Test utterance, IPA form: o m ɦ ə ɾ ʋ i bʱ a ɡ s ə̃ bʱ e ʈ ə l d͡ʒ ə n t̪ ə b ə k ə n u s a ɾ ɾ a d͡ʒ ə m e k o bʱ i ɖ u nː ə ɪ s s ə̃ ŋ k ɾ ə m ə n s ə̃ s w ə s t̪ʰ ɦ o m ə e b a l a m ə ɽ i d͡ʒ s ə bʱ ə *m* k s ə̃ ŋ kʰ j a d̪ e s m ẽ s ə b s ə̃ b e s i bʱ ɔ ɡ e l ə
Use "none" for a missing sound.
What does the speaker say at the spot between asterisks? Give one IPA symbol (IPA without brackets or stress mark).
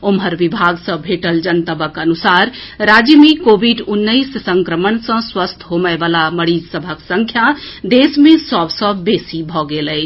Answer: none